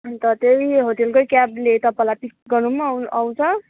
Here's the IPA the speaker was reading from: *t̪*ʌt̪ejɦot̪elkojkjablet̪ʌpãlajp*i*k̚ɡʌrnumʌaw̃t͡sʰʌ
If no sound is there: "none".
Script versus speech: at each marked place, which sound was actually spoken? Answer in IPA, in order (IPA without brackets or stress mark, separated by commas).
t̪, i